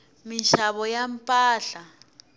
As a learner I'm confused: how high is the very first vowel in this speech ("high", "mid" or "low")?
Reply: high